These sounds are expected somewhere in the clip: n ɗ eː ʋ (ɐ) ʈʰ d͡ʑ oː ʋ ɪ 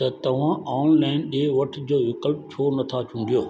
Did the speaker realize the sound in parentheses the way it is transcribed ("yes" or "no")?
yes